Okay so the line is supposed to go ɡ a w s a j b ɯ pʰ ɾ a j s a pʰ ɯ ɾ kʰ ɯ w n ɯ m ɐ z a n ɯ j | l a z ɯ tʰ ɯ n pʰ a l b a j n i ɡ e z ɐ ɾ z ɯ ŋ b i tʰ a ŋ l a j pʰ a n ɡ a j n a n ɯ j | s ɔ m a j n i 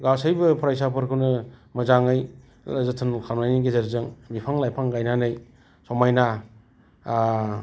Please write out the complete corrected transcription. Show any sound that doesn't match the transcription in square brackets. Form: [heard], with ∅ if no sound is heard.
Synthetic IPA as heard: ɡ a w s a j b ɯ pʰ ɾ a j s a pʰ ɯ ɾ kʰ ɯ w n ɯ m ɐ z a [ŋ] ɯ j | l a z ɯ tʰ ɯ n [kʰ] a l [m] a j n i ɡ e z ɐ ɾ z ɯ ŋ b i [pʰ] a ŋ l a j pʰ a [ŋ] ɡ a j n a n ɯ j | s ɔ m a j n [a]